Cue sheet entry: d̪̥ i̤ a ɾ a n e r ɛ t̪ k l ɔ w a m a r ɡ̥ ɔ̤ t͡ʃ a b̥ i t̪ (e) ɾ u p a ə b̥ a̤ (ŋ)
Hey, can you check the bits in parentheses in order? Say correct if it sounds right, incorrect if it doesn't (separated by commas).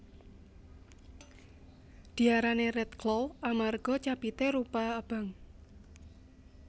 correct, correct